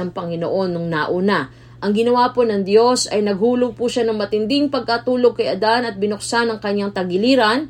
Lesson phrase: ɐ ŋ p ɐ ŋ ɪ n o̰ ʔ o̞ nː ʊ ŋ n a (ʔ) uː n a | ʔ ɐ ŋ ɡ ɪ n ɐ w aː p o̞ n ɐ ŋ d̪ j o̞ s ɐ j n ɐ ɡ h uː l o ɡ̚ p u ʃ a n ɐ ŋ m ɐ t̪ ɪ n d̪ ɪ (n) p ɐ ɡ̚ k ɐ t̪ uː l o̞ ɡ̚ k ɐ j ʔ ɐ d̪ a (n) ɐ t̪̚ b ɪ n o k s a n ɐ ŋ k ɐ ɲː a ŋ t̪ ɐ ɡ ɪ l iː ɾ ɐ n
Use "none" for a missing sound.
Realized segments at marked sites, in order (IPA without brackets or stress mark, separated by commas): ʔ, ŋ, n